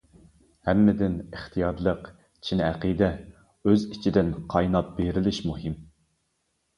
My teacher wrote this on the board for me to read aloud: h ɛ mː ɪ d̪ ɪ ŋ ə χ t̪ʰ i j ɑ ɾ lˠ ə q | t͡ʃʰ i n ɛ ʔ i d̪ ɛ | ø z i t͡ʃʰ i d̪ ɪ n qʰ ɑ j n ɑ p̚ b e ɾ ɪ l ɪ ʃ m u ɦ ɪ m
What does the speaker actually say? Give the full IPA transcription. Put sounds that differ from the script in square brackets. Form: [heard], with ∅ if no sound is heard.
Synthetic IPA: h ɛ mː ɪ d̪ ɪ [n] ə χ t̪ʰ i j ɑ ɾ lˠ ə q | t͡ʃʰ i n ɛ [q] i d̪ ɛ | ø z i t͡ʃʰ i d̪ ɪ n qʰ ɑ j n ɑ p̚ b e ɾ ɪ l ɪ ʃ m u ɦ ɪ m